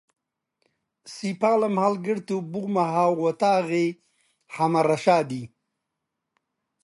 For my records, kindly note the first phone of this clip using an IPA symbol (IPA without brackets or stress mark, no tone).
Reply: s